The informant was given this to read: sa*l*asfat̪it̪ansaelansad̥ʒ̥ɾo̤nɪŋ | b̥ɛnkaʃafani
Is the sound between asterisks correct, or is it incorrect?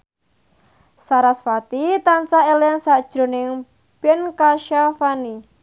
incorrect: ɾ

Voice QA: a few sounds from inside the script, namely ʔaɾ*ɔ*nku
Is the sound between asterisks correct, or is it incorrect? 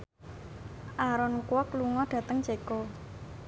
correct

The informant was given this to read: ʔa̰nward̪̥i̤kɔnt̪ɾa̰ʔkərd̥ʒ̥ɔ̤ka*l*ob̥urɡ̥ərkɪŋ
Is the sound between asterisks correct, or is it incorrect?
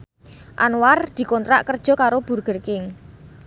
incorrect: ɾ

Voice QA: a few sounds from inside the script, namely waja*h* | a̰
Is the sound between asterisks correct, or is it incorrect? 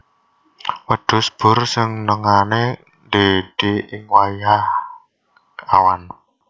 correct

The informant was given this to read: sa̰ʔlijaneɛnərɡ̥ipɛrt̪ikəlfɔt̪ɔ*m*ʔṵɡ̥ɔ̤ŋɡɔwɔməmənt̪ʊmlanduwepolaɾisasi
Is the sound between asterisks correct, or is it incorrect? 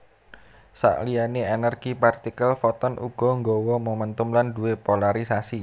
incorrect: n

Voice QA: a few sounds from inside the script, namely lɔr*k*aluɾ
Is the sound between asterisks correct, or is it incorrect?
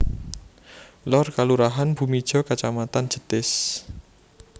correct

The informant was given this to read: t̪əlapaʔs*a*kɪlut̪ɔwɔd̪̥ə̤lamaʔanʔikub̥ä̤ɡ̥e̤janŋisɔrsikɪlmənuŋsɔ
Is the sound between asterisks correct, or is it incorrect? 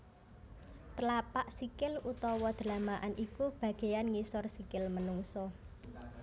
incorrect: i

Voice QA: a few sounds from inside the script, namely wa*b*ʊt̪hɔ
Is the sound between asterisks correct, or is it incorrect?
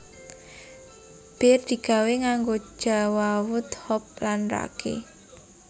incorrect: w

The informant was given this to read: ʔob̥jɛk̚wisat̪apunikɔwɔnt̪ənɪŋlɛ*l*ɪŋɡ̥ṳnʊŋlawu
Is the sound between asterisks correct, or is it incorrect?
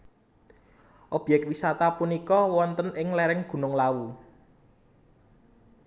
incorrect: ɾ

